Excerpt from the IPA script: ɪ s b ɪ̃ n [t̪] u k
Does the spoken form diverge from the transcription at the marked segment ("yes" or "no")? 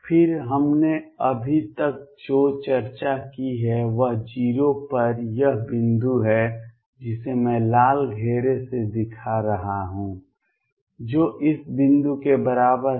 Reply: yes